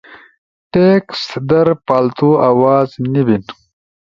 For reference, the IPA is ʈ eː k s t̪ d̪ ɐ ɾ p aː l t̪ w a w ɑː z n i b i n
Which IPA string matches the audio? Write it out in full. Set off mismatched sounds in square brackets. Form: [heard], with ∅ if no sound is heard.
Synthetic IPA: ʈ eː k s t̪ d̪ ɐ ɾ p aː l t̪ [u] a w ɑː z n i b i n